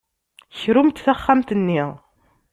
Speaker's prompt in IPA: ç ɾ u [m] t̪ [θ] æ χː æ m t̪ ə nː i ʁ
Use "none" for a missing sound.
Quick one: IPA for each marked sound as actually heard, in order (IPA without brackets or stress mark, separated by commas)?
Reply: m, θ